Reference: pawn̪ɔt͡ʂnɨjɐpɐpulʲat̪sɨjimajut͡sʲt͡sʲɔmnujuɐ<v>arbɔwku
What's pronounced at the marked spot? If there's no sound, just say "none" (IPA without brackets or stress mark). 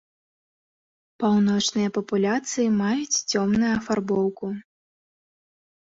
f